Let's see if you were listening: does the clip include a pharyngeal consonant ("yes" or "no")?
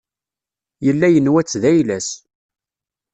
no